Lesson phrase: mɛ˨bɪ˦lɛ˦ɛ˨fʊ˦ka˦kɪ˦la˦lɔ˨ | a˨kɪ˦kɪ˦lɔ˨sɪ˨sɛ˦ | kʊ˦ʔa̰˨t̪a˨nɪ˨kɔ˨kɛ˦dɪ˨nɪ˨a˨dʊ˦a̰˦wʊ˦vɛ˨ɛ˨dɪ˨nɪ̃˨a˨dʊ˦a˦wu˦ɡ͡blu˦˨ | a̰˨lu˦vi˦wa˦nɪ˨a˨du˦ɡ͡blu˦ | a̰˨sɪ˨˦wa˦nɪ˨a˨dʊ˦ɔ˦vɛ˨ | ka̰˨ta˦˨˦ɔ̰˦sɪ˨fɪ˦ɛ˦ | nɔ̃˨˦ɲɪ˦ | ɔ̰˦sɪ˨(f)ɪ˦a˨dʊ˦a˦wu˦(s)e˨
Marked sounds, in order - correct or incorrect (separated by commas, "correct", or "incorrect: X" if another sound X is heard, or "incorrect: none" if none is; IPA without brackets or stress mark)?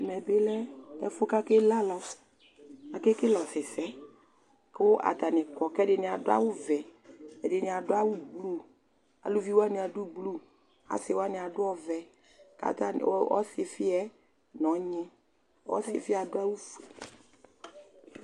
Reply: correct, incorrect: f